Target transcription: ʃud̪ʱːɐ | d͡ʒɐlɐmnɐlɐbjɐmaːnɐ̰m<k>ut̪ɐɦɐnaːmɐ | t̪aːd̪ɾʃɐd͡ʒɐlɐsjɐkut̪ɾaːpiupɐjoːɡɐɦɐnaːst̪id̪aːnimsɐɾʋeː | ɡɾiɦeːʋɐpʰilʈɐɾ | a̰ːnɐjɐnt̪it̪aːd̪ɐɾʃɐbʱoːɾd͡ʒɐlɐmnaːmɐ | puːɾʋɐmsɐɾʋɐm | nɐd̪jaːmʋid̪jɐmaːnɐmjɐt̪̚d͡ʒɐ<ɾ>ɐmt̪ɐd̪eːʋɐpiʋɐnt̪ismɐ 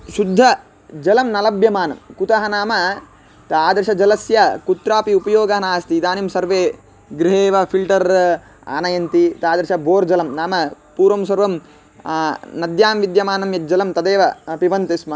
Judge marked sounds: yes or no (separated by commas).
yes, no